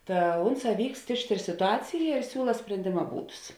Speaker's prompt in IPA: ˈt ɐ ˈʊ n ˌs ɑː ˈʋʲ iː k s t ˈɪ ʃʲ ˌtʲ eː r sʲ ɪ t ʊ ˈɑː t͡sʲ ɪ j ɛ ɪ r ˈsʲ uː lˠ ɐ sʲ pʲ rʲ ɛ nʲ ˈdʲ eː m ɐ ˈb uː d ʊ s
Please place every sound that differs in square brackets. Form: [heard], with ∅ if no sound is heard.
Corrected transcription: ˈt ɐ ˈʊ n ˌs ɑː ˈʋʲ iː k s t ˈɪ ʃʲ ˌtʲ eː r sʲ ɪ t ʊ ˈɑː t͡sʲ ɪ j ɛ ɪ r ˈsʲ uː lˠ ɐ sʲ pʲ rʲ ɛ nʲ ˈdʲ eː m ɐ ˈb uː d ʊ s